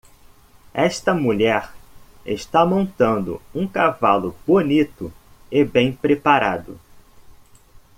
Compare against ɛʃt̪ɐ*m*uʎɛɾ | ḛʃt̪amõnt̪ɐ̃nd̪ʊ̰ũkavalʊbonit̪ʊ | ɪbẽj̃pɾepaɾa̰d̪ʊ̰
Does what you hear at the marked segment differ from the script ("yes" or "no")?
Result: no